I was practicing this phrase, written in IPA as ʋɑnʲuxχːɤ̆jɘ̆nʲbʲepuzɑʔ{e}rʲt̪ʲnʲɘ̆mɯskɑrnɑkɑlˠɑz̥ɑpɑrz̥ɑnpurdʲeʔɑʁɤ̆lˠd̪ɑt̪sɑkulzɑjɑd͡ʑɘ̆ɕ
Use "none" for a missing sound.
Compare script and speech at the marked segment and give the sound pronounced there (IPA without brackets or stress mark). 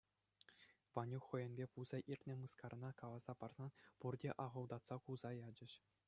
i